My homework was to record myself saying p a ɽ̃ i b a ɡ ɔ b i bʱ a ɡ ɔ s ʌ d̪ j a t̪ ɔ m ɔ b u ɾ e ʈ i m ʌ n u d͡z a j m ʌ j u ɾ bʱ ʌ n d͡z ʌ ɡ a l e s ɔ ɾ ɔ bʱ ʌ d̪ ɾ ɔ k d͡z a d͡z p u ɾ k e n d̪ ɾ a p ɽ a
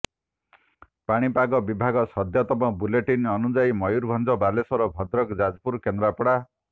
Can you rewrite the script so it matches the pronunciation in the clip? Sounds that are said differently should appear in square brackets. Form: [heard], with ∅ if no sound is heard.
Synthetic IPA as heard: p a ɽ̃ i [p] a ɡ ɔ b i bʱ a ɡ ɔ s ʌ d̪ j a t̪ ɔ m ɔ b u [l] e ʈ i [n] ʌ n u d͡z a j m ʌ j u ɾ bʱ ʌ n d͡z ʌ [b] a l e s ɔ ɾ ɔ bʱ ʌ d̪ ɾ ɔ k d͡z a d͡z p u ɾ k e n d̪ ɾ a p ɽ a